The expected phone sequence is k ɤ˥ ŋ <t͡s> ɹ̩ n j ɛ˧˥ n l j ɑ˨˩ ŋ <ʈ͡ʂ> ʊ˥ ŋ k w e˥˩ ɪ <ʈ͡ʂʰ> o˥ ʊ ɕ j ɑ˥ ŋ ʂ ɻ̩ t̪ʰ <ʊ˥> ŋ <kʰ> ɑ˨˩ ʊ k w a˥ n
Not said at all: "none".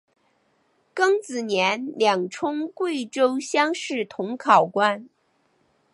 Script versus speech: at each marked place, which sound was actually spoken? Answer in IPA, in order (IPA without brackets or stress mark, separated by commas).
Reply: t͡s, ʈ͡ʂʰ, ʈ͡ʂ, ʊ˧˥, kʰ